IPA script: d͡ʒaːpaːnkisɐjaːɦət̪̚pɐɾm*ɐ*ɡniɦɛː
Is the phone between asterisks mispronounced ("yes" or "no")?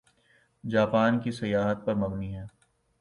no